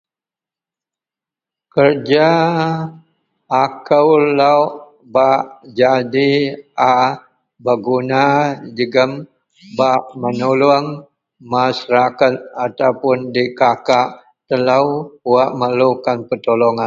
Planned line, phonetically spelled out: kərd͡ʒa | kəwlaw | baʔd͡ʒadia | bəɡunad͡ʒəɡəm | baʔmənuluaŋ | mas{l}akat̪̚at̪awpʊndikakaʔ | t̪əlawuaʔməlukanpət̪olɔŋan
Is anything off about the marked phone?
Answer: yes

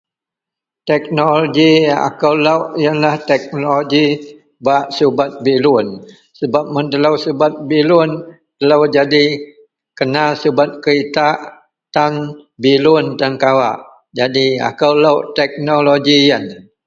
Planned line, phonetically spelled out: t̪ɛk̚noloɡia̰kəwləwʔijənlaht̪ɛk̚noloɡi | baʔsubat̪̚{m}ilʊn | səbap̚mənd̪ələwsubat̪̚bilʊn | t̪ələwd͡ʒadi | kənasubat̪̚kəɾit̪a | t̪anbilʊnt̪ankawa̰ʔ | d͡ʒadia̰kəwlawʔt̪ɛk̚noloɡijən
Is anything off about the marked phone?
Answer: yes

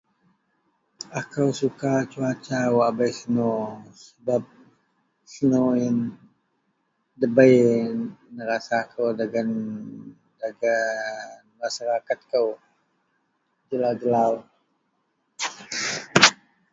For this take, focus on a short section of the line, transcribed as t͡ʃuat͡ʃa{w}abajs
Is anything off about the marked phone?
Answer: no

